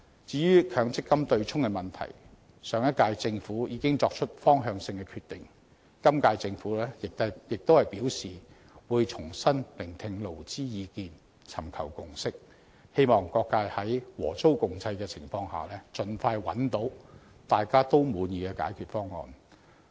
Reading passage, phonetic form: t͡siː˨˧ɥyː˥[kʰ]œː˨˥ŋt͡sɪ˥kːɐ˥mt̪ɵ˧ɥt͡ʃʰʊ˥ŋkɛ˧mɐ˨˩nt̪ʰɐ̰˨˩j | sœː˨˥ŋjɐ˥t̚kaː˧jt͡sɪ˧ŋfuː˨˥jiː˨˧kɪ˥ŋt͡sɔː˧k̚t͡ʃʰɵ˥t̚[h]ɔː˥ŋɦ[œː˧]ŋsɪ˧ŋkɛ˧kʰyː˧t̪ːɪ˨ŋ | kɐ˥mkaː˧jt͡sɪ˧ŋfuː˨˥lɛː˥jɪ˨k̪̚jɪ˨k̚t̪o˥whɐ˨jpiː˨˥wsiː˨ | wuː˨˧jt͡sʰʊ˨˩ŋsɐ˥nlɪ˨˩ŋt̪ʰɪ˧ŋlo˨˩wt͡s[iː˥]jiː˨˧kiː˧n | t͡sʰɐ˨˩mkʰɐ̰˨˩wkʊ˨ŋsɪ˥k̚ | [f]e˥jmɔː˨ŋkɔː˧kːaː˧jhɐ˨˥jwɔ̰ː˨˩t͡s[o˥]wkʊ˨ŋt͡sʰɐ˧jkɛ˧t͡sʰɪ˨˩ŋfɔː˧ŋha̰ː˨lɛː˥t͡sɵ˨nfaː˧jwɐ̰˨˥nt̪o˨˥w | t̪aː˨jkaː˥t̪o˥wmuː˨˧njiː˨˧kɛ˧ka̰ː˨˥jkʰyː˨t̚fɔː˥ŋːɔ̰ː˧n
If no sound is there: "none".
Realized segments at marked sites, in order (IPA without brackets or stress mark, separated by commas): kʰ, f, œː˧, iː˥, h, o˥